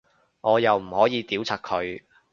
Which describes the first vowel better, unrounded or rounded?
rounded